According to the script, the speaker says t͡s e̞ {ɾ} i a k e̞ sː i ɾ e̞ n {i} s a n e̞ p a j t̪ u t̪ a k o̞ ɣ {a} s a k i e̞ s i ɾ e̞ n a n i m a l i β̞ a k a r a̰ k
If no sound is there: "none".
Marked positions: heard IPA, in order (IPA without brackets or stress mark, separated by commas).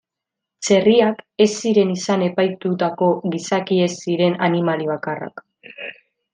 r, i, i